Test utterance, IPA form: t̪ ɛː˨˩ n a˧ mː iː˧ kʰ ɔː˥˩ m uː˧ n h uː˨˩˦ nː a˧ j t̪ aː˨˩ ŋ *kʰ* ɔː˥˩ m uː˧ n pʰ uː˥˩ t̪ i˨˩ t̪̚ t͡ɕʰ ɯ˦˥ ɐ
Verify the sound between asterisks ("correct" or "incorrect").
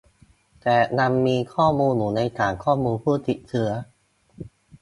correct